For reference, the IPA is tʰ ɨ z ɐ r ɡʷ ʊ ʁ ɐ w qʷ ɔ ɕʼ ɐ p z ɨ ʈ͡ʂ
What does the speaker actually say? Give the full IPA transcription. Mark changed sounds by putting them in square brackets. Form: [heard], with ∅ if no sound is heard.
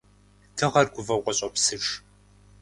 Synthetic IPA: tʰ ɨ [ʁ] ɐ r ɡʷ ʊ [v] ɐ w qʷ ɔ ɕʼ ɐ p [s] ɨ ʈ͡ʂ